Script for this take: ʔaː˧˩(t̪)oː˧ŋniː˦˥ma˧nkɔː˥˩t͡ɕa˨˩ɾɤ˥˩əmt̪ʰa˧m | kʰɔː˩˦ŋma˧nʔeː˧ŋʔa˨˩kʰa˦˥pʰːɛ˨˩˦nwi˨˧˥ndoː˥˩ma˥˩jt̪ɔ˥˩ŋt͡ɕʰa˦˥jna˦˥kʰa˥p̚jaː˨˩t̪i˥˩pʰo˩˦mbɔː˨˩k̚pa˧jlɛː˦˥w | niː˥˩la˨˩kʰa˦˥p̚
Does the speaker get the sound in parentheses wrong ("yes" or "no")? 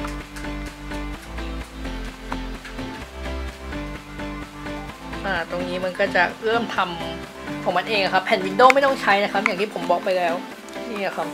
no